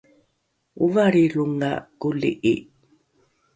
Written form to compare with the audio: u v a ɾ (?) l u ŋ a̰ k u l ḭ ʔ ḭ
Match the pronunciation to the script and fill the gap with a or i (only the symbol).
i